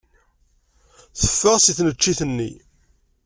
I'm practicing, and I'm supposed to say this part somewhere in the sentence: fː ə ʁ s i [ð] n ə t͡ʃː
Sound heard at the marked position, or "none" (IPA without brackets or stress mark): θ